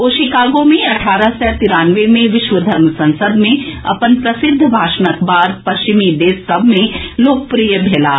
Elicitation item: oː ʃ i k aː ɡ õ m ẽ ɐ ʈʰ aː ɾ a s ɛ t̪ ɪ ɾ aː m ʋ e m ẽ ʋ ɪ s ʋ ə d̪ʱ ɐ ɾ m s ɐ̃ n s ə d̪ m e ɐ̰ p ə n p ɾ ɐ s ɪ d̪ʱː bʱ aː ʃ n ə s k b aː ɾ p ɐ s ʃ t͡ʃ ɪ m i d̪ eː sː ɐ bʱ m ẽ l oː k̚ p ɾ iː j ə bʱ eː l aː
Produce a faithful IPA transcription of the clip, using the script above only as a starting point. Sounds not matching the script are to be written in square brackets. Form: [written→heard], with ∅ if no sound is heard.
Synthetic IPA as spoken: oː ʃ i k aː ɡ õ m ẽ ɐ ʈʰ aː ɾ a s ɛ t̪ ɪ ɾ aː [m→n] ʋ e m ẽ ʋ ɪ [s→ʃ] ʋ ə d̪ʱ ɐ ɾ m s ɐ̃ n s ə d̪ m [e→ẽ] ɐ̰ p ə n p ɾ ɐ s ɪ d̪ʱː bʱ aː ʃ n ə [s→∅] k b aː ɾ p ɐ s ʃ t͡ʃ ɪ m i d̪ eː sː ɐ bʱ m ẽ l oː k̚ p ɾ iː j ə bʱ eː l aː

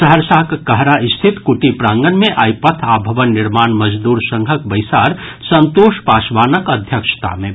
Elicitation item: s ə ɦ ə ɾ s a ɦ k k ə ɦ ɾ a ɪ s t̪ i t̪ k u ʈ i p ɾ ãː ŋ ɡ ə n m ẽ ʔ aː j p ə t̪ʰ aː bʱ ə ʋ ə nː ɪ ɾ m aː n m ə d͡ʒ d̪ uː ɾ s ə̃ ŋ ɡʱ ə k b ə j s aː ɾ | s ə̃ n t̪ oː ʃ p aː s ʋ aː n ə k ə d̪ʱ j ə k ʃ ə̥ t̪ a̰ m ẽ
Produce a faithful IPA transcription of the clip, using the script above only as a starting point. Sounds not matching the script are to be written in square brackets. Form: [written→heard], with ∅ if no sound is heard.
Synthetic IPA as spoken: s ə ɦ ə ɾ s a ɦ k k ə ɦ ɾ a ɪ s [t̪→t̪ʰ] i t̪ k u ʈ i p ɾ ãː ŋ ɡ ə n m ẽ ʔ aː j p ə t̪ʰ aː bʱ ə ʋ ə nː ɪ ɾ m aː n m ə d͡ʒ d̪ uː ɾ s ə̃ ŋ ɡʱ ə k b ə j s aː ɾ | s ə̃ n t̪ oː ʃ p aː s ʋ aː n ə k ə d̪ʱ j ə k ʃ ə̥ t̪ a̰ m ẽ

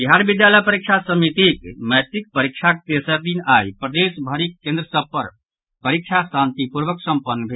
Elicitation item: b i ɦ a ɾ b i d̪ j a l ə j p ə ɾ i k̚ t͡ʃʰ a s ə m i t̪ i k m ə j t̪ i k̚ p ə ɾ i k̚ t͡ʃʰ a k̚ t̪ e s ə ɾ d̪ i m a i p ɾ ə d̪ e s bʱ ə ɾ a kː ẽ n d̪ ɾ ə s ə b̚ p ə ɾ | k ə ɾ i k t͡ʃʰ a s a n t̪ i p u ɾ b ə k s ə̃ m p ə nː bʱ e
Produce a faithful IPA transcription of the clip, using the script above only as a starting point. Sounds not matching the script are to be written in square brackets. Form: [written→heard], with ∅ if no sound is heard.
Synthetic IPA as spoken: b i ɦ a ɾ b i d̪ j a l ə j p ə ɾ i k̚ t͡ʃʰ a s ə m i t̪ i k m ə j t̪ i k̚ p ə ɾ i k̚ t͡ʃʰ a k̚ t̪ e s ə ɾ d̪ i [m→n] a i p ɾ ə d̪ e s bʱ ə ɾ [a→i] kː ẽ n d̪ ɾ ə s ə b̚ p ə ɾ | [k→p] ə ɾ i k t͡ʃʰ a s a n t̪ i p u ɾ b ə k s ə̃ m p ə nː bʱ e

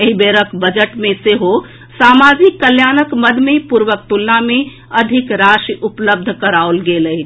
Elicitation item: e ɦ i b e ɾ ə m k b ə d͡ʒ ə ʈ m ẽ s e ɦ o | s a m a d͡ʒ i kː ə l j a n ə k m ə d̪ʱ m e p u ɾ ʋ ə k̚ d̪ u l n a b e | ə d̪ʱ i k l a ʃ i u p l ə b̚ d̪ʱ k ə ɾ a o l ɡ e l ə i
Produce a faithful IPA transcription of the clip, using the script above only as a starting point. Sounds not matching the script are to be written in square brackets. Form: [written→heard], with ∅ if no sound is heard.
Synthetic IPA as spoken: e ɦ i b e ɾ ə [m→∅] k b ə d͡ʒ ə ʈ m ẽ s e ɦ o | s a m a d͡ʒ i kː ə l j a n ə k m ə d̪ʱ m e p u ɾ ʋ ə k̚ [d̪→t̪] u l n a [b→m] e | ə d̪ʱ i k [l→ɾ] a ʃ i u p l ə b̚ d̪ʱ k ə ɾ a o l ɡ e l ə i

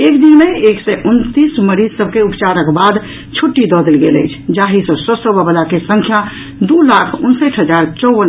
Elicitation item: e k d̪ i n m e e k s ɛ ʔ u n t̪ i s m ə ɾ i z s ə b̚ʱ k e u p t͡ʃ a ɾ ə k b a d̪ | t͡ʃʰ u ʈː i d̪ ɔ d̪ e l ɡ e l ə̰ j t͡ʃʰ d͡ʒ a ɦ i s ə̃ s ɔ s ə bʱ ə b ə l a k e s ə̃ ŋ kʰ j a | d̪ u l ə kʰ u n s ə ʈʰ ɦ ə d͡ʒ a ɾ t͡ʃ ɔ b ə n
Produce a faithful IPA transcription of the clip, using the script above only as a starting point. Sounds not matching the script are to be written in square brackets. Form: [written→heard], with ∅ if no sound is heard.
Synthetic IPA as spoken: e k d̪ i n m e e k s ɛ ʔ u n t̪ i s m ə ɾ i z s ə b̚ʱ k e u p t͡ʃ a ɾ ə k b a d̪ | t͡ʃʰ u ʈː i d̪ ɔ d̪ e l ɡ e l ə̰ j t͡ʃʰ d͡ʒ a ɦ i s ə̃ s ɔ s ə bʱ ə b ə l a k e s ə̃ ŋ kʰ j a | d̪ u l [ə→a] kʰ u n s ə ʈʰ ɦ ə d͡ʒ a ɾ t͡ʃ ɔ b ə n

